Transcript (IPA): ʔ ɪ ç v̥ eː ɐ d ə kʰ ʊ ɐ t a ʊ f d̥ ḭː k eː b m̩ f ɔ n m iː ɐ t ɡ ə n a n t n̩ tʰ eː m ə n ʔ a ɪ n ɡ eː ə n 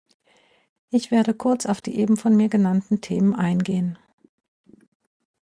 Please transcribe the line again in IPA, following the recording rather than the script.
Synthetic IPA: ʔ ɪ ç v̥ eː ɐ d ə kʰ ʊ ɐ t͡s a ʊ f d̥ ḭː ʔ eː b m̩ f ɔ n m iː ɐ ɡ ə n a n t n̩ tʰ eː m ə n ʔ a ɪ n ɡ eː ə n

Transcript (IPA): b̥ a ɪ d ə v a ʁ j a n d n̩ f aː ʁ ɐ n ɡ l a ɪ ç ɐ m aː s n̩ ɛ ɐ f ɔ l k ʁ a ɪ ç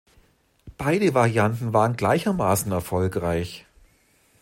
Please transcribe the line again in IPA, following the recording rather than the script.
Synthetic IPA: b̥ a ɪ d ə v a ʁ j a n t n̩ v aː ʁ ə n ɡ l a ɪ ç ɐ m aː s n̩ ɛ ɐ f ɔ l k ʁ a ɪ ç

